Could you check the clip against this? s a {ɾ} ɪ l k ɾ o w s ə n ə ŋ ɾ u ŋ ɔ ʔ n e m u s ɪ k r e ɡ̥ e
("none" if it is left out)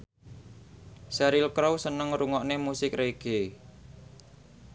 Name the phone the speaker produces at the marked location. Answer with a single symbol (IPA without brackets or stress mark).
ɾ